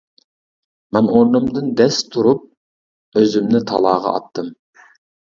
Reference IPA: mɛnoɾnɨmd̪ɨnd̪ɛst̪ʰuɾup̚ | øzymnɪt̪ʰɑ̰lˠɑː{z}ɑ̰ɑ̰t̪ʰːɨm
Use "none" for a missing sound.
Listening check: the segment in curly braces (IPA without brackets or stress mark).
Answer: ʁ